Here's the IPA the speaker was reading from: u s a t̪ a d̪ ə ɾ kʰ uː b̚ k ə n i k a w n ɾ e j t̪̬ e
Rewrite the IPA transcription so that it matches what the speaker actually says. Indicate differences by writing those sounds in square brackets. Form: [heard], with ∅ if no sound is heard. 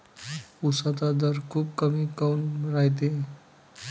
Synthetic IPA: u s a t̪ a d̪ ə ɾ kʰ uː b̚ k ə [m] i k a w n ɾ [a] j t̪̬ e